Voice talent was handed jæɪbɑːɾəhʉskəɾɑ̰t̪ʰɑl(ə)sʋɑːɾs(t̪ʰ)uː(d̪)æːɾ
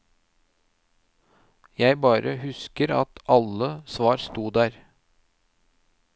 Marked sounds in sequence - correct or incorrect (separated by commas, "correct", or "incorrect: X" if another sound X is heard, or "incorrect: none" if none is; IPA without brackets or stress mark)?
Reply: correct, incorrect: t̪, correct